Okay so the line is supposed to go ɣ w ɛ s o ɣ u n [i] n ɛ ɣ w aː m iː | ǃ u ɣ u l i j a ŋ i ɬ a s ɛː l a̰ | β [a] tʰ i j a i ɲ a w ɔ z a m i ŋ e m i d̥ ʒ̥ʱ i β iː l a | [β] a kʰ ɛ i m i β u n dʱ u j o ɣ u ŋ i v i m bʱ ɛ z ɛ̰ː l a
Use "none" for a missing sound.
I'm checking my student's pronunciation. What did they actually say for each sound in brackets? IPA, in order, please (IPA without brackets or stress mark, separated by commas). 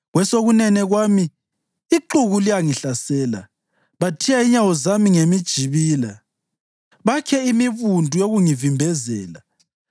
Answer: ɛ, a, β